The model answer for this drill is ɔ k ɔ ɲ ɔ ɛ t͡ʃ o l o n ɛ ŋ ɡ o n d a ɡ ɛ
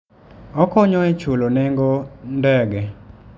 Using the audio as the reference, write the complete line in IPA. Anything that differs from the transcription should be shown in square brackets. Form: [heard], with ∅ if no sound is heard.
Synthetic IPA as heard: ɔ k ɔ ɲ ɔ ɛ t͡ʃ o l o n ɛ ŋ ɡ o n d [ɛ] ɡ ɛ